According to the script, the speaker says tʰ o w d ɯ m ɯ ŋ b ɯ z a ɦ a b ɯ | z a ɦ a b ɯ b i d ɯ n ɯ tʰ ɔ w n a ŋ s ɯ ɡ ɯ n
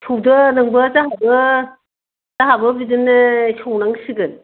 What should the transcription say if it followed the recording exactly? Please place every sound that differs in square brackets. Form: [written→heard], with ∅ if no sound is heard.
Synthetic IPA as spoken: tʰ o w d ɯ [m→n] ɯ ŋ b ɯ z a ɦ a b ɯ | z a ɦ a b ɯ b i d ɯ n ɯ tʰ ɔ w n a ŋ s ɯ ɡ ɯ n